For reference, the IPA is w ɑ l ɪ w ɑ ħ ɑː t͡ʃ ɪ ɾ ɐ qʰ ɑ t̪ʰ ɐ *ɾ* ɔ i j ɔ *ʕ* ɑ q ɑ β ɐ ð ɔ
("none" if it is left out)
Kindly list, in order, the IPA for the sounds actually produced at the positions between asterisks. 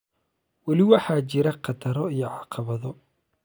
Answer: ɾ, ʕ

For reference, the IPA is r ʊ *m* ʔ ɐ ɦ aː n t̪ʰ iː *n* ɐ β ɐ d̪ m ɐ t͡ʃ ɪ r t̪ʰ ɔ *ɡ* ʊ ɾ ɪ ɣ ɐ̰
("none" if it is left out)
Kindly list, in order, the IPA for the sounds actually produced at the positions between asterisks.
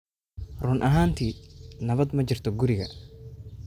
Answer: n, n, ɡ

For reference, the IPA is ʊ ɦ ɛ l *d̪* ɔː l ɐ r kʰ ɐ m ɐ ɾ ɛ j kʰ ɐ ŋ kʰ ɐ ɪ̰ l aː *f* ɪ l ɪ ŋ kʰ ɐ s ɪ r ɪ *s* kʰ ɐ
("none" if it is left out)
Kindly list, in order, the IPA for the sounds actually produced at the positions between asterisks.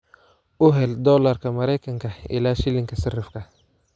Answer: d̪, ʃ, f

